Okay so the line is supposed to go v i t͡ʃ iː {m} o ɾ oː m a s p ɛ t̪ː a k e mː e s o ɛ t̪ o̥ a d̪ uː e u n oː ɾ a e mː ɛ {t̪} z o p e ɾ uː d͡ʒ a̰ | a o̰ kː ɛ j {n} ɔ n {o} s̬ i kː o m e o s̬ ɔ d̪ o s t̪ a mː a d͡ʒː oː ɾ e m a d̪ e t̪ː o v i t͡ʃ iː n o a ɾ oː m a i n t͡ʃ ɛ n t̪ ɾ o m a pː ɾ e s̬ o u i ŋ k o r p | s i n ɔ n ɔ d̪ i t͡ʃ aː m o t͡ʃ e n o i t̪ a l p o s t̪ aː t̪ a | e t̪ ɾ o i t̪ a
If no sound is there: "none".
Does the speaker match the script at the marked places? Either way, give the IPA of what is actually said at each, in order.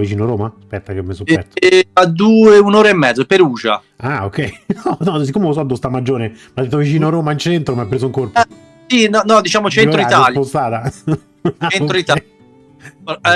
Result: n, d̪, n, ɔ

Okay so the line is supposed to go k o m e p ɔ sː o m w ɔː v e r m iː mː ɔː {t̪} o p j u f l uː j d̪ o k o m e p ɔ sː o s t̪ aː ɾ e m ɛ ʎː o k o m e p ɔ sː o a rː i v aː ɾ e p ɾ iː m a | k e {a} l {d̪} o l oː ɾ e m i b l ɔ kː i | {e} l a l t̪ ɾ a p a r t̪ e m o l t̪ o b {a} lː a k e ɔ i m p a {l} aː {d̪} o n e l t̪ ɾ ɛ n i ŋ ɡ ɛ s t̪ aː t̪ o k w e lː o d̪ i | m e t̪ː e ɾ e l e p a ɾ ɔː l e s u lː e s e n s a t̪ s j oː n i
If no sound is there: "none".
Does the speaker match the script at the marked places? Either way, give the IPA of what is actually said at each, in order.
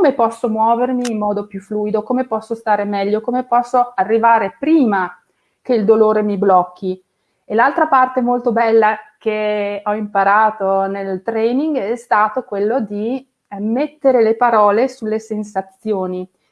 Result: d̪, i, d̪, e, ɛ, ɾ, t̪

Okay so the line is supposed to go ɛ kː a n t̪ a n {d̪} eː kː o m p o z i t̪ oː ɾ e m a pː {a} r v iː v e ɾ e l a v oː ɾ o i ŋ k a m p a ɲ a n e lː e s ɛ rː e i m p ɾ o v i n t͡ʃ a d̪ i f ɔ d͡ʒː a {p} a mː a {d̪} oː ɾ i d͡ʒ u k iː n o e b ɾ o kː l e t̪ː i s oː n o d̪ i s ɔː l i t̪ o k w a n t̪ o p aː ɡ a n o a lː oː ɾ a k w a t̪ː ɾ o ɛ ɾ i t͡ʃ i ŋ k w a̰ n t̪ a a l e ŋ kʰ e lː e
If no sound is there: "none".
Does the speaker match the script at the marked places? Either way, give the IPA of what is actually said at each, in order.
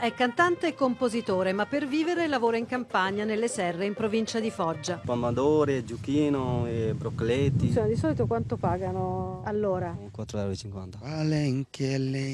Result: t̪, e, p, d̪

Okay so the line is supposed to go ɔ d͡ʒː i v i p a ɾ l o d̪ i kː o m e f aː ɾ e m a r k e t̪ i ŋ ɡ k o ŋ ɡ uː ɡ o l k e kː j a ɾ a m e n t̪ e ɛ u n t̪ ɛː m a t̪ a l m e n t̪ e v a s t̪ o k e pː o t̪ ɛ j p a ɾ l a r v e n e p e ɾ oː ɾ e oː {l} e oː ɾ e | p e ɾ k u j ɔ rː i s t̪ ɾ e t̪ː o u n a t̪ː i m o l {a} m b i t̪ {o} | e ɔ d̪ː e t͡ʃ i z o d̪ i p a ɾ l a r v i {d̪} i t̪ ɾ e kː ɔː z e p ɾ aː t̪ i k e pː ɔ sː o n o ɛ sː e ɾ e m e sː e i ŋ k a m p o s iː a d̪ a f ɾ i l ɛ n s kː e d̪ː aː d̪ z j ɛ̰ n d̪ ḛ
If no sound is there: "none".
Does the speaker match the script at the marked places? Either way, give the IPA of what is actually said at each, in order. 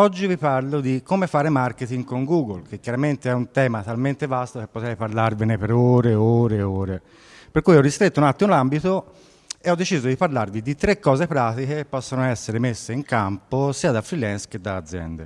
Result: ɾ, a, o, d̪

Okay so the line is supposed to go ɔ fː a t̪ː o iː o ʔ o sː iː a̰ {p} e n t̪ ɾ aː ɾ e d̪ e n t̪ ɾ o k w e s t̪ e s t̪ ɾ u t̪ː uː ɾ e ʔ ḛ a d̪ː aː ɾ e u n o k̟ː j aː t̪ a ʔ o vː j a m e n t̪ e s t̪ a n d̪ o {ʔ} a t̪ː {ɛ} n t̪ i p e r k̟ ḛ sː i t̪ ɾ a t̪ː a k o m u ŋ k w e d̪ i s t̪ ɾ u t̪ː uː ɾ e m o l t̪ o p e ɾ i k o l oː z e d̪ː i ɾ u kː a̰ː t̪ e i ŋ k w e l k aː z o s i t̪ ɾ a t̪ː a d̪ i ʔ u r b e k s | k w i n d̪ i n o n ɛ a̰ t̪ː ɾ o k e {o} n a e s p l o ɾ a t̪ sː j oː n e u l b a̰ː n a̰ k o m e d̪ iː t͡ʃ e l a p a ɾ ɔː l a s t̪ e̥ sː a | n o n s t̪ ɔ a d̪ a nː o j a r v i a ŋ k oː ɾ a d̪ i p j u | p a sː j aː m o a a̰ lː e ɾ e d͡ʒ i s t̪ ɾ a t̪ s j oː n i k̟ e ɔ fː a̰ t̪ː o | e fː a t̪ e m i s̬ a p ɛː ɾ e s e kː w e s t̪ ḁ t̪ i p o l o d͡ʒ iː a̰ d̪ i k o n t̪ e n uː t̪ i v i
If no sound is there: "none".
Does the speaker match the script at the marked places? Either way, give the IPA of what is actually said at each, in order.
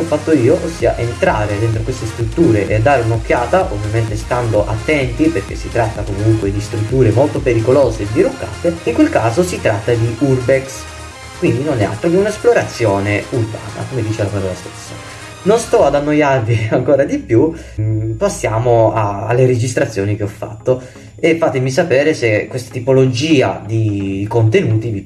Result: ʔ, ʔ, ɛ, u

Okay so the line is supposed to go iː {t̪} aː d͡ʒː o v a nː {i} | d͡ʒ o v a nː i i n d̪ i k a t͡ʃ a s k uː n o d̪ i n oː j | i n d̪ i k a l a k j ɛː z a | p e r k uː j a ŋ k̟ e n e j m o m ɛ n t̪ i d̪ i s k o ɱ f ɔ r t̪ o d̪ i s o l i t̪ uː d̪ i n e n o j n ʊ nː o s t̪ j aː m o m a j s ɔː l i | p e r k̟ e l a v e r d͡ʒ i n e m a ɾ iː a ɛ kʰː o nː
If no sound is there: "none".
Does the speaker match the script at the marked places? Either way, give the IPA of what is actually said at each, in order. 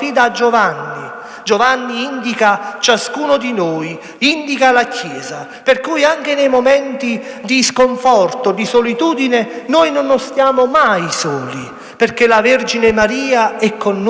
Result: d̪, i

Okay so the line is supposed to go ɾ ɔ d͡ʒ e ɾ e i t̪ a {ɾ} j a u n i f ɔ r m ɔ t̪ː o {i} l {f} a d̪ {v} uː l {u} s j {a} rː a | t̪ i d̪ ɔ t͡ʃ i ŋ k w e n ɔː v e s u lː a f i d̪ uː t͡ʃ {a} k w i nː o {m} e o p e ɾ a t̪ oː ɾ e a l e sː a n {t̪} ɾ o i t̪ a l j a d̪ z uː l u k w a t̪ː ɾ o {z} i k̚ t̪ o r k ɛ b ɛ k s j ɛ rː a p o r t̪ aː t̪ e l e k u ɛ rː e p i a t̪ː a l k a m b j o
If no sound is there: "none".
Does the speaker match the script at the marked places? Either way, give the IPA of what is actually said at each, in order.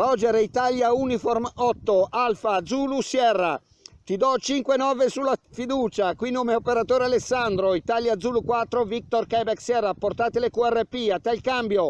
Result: l, a, f, z, u, ɛ, a, m, d̪, v

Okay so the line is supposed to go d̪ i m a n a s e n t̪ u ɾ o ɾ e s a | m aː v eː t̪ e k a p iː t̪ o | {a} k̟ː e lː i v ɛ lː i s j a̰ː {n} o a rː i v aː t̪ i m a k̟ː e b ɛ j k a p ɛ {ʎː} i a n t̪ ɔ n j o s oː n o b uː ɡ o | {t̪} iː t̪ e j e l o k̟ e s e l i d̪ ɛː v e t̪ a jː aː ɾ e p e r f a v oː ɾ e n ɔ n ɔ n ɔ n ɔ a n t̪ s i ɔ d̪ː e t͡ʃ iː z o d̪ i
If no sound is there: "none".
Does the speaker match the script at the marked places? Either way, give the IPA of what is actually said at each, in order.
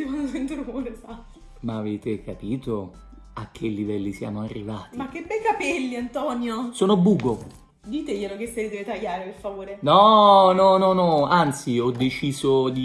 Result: a, m, lː, d̪

